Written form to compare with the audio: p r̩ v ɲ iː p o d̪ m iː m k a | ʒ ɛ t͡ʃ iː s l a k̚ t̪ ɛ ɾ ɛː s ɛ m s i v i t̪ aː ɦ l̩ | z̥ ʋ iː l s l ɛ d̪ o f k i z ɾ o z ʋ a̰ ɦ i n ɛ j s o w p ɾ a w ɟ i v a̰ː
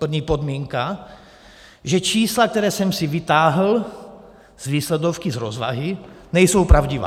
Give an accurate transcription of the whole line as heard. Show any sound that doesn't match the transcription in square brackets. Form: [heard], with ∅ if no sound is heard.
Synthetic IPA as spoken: p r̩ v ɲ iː p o d̪ m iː [ŋ] k a | ʒ ɛ t͡ʃ iː s l a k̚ t̪ ɛ ɾ ɛː s ɛ m s i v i t̪ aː ɦ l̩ | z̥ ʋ iː [∅] s l ɛ d̪ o f k i z ɾ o z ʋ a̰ ɦ i n ɛ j s o w p ɾ a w ɟ i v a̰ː